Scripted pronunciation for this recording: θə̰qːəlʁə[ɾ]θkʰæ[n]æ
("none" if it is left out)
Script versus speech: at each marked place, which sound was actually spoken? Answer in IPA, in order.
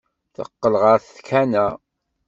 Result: ɾ, n

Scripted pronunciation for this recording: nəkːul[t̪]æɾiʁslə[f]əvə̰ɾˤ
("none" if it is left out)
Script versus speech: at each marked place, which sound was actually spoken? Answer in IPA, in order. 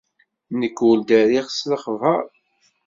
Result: d̪, χ

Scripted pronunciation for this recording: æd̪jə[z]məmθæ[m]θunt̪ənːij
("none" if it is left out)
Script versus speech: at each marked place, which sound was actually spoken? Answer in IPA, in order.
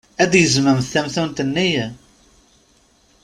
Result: z, m

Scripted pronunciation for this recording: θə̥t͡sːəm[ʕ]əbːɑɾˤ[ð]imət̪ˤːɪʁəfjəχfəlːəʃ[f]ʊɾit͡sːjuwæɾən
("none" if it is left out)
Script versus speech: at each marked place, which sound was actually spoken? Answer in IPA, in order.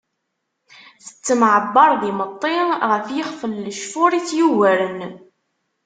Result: ʕ, ð, f

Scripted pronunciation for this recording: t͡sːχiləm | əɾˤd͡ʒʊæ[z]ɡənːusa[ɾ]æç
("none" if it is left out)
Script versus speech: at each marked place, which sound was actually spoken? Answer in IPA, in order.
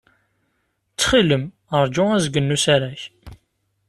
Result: z, ɾ

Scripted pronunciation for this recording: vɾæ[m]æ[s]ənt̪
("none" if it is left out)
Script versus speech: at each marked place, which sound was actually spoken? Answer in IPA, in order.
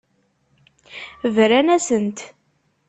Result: n, s

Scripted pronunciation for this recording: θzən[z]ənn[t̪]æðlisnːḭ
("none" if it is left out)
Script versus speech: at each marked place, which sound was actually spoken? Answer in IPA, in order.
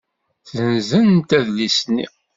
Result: z, t̪

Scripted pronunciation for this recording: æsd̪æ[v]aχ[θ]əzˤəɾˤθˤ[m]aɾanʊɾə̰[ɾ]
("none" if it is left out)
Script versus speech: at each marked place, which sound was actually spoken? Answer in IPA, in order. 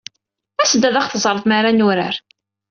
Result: ð, θ, m, ɾ

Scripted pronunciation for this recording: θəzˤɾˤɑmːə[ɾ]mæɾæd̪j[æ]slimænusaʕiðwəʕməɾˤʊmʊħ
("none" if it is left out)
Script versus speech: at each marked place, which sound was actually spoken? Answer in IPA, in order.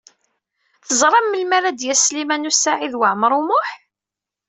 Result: l, æ

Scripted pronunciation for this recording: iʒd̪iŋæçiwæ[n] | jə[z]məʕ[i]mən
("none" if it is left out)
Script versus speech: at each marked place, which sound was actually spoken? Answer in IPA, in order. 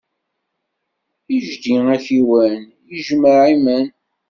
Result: n, ʒ, i

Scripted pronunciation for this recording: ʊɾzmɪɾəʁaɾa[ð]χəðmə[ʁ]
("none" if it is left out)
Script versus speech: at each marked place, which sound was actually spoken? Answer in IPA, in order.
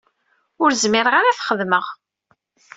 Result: θ, ʁ

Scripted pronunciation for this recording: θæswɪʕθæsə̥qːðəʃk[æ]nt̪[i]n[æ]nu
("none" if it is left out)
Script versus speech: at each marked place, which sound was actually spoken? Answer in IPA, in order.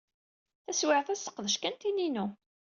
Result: æ, i, i

